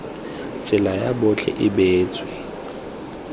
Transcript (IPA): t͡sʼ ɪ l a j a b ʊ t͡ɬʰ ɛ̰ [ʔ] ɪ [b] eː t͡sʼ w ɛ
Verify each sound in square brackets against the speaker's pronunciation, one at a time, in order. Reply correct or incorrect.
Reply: correct, correct

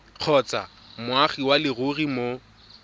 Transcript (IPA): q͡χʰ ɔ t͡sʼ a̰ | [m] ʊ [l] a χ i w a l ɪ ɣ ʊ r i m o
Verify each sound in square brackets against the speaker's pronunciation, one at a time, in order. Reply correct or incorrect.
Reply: correct, incorrect: none

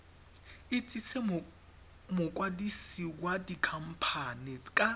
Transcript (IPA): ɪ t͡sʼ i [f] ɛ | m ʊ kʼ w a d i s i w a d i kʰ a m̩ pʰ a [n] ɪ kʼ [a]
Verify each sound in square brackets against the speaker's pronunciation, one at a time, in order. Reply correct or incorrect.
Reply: incorrect: s, correct, correct

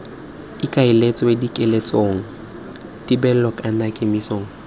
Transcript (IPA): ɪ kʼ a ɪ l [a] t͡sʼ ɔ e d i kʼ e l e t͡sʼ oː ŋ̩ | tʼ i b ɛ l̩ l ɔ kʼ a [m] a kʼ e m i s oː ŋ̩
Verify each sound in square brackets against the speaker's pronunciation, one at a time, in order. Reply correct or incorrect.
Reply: incorrect: e, incorrect: n

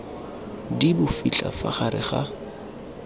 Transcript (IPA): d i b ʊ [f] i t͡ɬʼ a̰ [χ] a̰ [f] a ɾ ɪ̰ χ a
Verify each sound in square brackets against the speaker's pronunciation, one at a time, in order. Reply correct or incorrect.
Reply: correct, incorrect: f, incorrect: χ

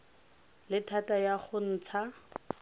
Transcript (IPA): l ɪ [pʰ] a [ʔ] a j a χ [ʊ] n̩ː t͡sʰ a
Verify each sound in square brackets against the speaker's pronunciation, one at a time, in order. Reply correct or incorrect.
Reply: incorrect: tʰ, incorrect: t, correct

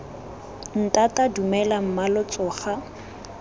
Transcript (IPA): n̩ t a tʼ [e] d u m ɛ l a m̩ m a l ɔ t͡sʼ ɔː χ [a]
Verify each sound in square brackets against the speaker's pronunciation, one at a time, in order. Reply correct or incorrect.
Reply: incorrect: a, correct

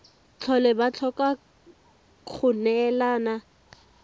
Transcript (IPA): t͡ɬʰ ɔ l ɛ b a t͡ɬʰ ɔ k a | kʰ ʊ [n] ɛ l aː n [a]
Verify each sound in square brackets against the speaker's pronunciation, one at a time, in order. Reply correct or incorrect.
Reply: correct, correct

